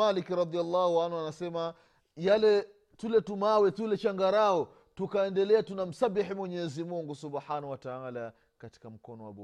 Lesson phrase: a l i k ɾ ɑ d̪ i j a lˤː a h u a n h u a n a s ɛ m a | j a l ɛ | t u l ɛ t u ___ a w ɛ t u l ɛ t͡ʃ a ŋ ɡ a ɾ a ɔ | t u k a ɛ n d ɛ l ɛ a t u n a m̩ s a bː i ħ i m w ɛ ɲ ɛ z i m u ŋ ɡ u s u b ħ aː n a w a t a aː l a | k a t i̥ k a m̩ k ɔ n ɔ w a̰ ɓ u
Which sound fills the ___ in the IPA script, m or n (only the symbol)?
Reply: m